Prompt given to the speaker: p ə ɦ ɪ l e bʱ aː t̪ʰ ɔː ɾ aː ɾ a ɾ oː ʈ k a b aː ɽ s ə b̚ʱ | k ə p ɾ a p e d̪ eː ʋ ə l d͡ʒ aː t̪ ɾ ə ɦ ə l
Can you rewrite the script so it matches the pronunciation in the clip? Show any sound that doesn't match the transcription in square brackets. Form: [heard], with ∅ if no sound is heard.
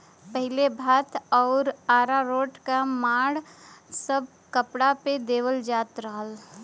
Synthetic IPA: p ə ɦ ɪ l e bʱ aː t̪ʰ ɔː ɾ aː ɾ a ɾ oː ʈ k a [m] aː ɽ s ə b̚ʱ | k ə p [ɽ] a p e d̪ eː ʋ ə l d͡ʒ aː t̪ ɾ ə ɦ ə l